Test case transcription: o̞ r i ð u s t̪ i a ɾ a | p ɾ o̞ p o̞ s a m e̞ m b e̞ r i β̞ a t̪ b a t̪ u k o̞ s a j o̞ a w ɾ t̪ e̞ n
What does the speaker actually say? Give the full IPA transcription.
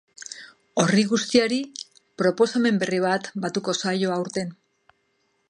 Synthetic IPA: o̞ r i ɣ u s t̪ i a ɾ i | p ɾ o̞ p o̞ s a m e̞ m b e̞ r i β̞ a t̪ b a t̪ u k o̞ s a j o̞ a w ɾ t̪ e̞ n

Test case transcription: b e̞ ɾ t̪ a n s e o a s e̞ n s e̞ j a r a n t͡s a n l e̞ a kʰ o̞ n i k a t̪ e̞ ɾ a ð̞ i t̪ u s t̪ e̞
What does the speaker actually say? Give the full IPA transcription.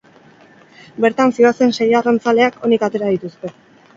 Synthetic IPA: b e̞ ɾ t̪ a n s i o a s e̞ n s e̞ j a r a n t͡s a l e̞ a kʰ o̞ n i k a t̪ e̞ ɾ a ð̞ i t̪ u s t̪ e̞

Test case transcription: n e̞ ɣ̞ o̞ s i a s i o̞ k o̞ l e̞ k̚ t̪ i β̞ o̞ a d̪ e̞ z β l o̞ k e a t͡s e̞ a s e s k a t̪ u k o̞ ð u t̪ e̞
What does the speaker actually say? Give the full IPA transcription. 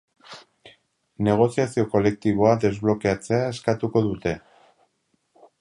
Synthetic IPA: n e̞ ɣ̞ o̞ s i a s i o̞ k o̞ l e̞ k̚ t̪ i β̞ o̞ a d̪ e̞ z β l o̞ k e a t͡s e̞ a e s k a t̪ u k o̞ ð u t̪ e̞

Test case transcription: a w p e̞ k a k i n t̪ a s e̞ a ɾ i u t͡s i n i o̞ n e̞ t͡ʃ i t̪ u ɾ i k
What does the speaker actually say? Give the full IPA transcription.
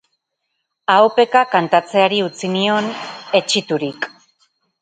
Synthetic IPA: a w p e̞ k a k a n t̪ a t͡s e̞ a ɾ i u t͡s i n i o̞ n e̞ t͡ʃ i t̪ u ɾ i k

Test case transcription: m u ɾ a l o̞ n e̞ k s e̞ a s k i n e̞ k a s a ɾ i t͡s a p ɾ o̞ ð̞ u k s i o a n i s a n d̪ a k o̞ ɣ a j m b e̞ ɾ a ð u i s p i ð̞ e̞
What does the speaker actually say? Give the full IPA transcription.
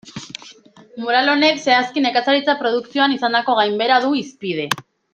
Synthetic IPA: m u ɾ a l o̞ n e̞ k s e̞ a s k i n e̞ k a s a ɾ i t͡s a p ɾ o̞ ð̞ u k s i o a n i s a n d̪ a k o̞ ɣ a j m b e̞ ɾ a ð u i s p i ð̞ e̞

